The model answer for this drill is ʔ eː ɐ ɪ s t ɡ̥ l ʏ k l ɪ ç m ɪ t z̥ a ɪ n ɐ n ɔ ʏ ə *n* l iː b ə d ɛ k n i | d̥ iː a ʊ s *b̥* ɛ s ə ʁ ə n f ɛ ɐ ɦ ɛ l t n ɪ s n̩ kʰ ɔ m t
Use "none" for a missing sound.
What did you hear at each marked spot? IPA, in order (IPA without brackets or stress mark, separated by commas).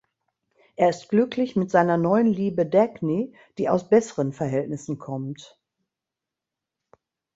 n, b̥